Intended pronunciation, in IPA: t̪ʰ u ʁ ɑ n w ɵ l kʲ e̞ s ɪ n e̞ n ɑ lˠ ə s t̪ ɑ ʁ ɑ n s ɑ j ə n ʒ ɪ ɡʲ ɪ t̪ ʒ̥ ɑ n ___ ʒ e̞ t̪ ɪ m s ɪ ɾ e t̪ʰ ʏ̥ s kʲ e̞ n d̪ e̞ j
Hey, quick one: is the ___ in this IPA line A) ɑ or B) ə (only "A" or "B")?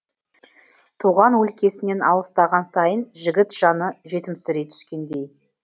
B